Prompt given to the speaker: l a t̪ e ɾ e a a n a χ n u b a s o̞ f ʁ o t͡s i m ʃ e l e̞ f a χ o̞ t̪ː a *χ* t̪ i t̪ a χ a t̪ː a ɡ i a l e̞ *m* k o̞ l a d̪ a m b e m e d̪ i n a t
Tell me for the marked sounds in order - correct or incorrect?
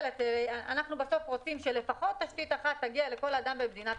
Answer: incorrect: ʃ, incorrect: none

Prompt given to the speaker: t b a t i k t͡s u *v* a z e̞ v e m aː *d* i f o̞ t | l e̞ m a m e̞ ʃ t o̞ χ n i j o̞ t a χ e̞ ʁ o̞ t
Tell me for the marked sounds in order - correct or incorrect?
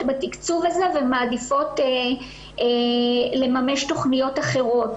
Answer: correct, correct

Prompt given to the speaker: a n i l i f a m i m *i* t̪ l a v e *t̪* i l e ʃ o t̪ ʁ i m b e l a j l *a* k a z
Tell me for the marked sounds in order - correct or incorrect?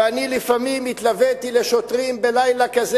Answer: correct, correct, correct

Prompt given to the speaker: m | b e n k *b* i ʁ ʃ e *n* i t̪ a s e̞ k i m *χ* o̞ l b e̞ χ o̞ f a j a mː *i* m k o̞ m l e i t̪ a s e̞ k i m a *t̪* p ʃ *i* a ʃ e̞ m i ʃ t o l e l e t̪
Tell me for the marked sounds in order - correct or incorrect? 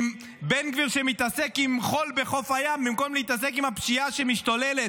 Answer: incorrect: v, incorrect: m, correct, correct, incorrect: none, correct

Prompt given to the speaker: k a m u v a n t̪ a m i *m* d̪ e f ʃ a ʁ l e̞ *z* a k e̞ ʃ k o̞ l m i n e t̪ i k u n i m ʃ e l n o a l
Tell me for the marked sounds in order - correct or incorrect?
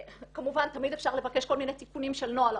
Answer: incorrect: none, incorrect: v

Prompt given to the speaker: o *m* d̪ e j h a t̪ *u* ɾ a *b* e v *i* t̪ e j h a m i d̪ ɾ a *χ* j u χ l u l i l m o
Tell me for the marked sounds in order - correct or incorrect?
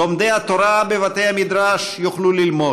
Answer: correct, incorrect: o, correct, incorrect: a, incorrect: ʃ

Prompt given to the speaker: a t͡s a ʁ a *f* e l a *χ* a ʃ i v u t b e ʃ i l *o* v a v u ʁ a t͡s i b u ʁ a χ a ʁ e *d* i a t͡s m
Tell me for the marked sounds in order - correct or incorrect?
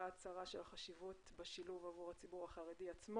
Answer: incorrect: ʃ, correct, incorrect: u, correct

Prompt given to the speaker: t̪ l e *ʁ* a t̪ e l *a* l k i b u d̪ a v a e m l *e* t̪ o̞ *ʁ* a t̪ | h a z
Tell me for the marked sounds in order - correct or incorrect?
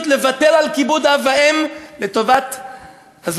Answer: incorrect: v, correct, correct, incorrect: v

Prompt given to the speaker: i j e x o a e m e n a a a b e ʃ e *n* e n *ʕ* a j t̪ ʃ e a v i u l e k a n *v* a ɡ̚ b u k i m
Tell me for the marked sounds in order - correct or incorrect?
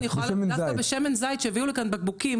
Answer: incorrect: m, incorrect: z, incorrect: b

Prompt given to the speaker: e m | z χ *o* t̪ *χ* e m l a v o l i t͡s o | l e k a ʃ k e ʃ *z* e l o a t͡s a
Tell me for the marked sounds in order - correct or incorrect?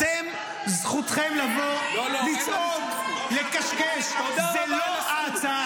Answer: incorrect: u, correct, correct

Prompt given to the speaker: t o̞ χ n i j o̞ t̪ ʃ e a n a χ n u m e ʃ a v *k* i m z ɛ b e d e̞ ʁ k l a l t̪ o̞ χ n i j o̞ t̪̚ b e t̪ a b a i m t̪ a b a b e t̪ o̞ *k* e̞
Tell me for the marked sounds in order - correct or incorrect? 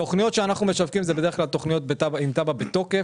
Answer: correct, correct

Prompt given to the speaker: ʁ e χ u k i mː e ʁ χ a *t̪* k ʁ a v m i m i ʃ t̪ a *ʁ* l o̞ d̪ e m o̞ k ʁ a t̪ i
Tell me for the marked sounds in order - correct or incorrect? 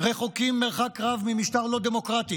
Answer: incorrect: none, correct

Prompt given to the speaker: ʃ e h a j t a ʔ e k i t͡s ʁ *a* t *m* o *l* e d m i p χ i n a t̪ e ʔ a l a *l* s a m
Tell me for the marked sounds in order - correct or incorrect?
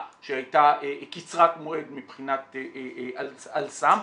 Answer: correct, correct, incorrect: none, correct

